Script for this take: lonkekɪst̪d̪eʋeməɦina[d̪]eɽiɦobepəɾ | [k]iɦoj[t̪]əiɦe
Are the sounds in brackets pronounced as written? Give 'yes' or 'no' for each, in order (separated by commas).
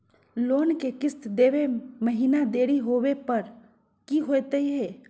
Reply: yes, yes, yes